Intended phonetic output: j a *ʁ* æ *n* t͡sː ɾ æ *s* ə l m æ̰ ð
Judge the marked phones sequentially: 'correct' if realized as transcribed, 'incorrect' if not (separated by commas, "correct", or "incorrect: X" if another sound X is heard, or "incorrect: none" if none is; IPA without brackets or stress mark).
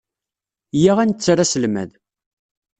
correct, correct, correct